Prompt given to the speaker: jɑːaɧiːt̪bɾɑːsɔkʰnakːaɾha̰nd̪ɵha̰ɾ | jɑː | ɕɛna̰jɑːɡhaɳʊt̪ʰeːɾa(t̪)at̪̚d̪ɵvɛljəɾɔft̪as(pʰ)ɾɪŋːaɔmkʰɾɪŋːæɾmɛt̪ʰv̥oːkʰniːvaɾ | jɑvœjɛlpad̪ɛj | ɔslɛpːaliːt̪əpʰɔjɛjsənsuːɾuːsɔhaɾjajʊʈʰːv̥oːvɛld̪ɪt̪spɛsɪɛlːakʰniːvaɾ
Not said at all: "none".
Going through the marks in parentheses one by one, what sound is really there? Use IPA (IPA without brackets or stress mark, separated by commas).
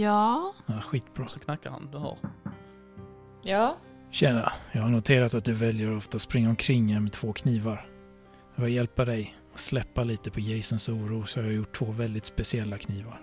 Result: t̪, p